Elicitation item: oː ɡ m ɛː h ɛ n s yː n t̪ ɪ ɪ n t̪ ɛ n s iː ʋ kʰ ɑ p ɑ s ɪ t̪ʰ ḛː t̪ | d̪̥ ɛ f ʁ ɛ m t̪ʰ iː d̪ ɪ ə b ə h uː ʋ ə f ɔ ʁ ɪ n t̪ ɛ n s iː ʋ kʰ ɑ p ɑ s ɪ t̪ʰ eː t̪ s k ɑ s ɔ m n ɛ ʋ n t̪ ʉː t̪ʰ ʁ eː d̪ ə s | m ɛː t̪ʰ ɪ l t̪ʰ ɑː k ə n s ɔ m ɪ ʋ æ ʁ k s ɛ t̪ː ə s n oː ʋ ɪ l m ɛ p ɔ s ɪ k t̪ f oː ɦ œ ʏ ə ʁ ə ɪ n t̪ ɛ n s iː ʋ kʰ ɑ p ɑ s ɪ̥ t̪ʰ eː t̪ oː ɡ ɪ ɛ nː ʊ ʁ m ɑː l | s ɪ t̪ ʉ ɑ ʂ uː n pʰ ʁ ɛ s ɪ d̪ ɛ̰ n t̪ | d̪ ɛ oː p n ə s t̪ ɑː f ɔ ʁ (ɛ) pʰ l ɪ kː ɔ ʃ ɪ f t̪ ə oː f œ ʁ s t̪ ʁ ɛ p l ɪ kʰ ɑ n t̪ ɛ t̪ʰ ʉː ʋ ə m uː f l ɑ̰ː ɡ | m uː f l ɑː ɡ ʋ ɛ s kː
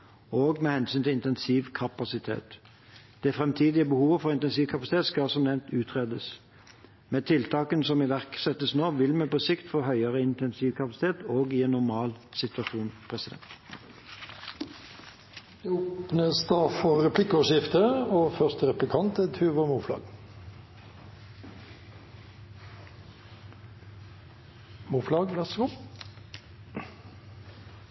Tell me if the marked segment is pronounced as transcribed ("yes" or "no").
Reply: yes